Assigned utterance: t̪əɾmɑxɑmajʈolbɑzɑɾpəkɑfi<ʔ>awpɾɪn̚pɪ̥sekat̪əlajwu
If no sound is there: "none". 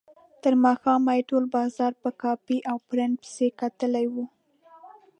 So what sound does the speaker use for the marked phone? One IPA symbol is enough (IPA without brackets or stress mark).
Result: ʔ